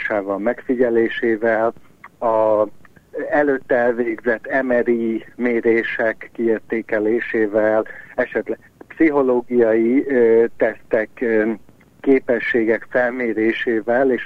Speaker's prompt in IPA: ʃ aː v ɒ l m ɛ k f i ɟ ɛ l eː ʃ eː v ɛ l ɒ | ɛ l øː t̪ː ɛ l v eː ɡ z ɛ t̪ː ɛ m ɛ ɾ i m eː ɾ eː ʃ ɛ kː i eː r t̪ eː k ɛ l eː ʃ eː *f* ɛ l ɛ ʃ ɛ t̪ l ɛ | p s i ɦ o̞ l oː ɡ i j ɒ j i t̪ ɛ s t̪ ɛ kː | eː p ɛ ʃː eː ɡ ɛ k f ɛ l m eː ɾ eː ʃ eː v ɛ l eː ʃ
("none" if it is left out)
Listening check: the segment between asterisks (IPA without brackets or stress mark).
v